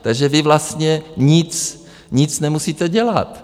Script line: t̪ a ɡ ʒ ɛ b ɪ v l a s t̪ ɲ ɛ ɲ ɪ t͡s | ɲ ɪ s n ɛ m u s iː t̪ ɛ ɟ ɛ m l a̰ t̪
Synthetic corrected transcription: t̪ a ɡ ʒ ɛ v ɪ v l a s t̪ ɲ ɛ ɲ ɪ t͡s | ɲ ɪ t͡s n ɛ m u s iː t̪ ɛ ɟ ɛ l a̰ t̪